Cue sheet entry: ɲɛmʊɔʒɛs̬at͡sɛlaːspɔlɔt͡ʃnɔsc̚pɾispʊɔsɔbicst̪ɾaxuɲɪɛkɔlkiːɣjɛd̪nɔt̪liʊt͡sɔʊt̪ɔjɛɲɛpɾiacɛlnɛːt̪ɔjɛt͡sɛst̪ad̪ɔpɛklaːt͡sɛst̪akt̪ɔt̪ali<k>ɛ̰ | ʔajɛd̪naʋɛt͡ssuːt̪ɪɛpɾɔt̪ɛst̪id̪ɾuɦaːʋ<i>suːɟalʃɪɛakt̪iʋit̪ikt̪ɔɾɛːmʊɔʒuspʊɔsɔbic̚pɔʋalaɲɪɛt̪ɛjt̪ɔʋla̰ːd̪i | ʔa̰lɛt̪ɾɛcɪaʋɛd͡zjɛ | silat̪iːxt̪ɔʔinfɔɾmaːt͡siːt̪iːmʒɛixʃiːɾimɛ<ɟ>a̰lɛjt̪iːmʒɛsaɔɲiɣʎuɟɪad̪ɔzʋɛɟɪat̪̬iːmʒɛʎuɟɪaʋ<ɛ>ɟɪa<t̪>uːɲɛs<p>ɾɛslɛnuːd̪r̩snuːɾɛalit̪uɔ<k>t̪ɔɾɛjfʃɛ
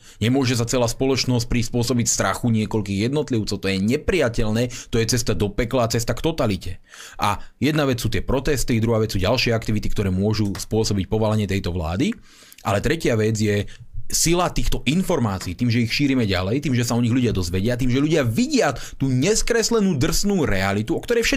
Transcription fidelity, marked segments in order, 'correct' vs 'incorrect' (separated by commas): incorrect, incorrect, correct, incorrect, correct, incorrect, correct